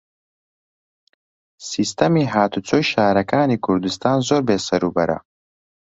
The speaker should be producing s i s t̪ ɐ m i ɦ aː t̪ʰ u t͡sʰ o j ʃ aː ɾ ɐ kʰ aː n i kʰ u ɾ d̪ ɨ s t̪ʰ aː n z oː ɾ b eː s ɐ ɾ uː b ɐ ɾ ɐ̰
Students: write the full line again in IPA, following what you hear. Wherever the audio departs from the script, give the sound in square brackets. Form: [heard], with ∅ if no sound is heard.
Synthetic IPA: s i s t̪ ɐ m i ɦ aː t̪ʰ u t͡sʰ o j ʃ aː ɾ ɐ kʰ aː n i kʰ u ɾ d̪ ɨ s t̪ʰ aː n z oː ɾ b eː s ɐ ɾ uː b ɐ ɾ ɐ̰